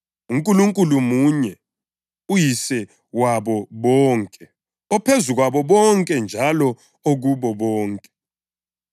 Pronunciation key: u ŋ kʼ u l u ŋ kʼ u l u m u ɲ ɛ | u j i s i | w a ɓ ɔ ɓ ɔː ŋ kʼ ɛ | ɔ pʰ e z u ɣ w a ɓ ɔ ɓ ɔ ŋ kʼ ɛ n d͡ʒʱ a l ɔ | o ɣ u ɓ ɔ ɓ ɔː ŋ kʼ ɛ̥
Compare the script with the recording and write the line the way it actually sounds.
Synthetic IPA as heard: u ŋ kʼ u l u ŋ kʼ u l u m u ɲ ɛ | u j i s ɛ | w a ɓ ɔ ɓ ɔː ŋ kʼ ɛ | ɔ pʰ e z u ɣ w a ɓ ɔ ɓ ɔ ŋ kʼ ɛ n d͡ʒʱ a l ɔ | o ɣ u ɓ ɔ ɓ ɔː ŋ kʼ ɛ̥